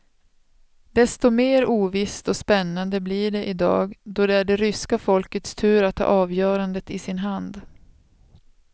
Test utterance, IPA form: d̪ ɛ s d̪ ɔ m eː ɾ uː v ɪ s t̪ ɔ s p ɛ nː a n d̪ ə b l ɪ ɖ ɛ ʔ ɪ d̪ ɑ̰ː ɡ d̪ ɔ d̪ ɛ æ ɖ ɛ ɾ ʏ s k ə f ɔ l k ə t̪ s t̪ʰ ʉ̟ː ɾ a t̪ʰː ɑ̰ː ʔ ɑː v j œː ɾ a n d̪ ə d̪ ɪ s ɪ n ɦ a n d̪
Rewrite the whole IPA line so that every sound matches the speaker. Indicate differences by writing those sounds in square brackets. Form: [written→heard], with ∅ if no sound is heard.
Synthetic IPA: d̪ ɛ s [d̪→t̪] ɔ m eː ɾ uː v ɪ s t̪ ɔ s p ɛ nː a n d̪ ə b l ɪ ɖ ɛ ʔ ɪ d̪ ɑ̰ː ɡ d̪ ɔ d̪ ɛ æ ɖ ɛ ɾ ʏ s k [ə→a] f ɔ l k ə t̪ s t̪ʰ ʉ̟ː ɾ a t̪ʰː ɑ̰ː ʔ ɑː v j œː ɾ a n d̪ ə [d̪→t̪] ɪ s ɪ n ɦ a n d̪